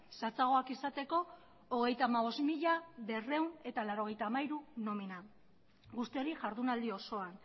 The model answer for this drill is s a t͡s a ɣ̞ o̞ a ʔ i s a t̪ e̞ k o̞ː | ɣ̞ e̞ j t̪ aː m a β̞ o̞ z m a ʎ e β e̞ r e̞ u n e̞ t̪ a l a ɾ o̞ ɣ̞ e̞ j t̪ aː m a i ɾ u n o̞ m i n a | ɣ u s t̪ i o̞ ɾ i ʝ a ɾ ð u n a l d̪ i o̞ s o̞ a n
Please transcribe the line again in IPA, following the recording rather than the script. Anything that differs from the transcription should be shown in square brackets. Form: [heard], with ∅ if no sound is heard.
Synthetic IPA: s a t͡s a ɣ̞ o̞ a [k] i s a t̪ e̞ k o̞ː | ɣ̞ e̞ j t̪ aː m a β̞ o̞ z m [i] ʎ [a] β e̞ r e̞ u n e̞ t̪ a l a ɾ o̞ ɣ̞ e̞ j t̪ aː m a i ɾ u n o̞ m i n a | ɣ u s t̪ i o̞ ɾ i ʝ a ɾ ð u n a l d̪ i o̞ s o̞ a n